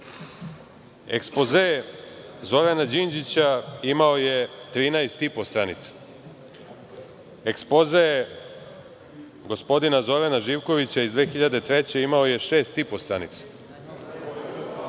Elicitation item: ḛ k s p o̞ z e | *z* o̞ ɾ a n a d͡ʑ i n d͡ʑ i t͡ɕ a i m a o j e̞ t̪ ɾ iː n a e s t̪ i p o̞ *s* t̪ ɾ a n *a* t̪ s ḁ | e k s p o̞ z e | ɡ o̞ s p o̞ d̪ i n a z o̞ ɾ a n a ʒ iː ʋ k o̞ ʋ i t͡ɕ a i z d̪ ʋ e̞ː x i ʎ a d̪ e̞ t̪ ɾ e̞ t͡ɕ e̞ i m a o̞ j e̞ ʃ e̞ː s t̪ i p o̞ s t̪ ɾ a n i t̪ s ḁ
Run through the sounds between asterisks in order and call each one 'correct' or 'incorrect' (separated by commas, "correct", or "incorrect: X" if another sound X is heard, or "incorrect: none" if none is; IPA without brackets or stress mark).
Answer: correct, correct, incorrect: i